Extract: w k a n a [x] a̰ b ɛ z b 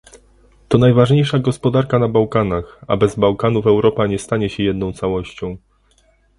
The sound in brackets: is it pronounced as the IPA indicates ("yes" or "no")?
yes